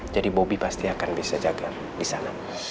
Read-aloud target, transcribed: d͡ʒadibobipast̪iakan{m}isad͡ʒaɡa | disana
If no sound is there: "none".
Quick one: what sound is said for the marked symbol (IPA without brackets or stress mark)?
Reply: b